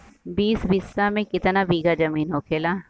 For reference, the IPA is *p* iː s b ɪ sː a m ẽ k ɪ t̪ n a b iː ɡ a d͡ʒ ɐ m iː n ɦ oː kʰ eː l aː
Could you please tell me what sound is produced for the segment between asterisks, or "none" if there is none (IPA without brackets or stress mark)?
b